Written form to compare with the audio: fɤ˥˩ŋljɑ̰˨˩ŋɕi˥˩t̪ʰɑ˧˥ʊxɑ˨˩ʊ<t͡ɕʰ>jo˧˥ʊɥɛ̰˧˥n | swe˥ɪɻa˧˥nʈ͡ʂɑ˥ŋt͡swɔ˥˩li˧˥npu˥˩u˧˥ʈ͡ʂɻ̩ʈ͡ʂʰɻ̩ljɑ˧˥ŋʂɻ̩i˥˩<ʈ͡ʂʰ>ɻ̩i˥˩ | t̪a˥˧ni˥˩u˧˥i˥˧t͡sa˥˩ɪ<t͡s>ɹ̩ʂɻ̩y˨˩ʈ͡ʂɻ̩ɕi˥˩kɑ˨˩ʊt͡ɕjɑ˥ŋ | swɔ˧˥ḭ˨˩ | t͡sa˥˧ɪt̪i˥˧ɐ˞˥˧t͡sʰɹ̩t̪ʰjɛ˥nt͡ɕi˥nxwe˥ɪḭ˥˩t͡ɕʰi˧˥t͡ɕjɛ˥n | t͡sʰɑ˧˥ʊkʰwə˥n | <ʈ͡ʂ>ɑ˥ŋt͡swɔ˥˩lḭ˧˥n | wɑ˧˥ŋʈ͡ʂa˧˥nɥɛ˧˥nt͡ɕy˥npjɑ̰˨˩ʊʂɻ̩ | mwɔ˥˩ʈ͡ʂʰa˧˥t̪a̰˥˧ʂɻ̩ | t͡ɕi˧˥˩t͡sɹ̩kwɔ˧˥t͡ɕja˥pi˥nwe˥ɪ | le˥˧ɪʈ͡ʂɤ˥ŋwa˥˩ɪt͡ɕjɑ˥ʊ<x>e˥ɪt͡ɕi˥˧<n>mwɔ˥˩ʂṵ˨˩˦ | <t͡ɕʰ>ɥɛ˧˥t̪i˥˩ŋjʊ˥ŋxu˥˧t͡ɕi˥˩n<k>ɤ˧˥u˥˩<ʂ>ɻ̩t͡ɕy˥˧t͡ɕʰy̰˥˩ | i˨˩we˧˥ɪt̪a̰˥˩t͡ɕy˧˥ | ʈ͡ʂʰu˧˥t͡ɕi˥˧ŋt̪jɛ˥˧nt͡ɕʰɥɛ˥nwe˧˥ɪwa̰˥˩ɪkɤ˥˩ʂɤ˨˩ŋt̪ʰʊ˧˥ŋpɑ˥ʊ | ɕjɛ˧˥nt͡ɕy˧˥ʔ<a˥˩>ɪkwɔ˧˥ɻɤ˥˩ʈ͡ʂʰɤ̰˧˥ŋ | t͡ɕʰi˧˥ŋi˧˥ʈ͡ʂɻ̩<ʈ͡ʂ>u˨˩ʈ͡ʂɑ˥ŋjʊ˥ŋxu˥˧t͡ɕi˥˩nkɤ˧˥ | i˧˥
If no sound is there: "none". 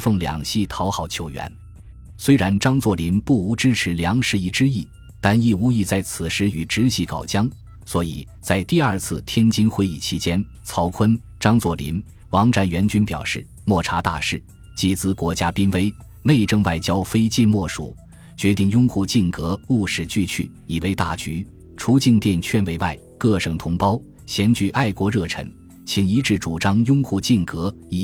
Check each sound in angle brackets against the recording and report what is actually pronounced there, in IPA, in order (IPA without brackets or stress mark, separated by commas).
t͡ɕʰ, ʈ͡ʂ, t͡sʰ, ʈ͡ʂ, f, n, t͡ɕ, k, ʂ, a˥˩, ʈ͡ʂ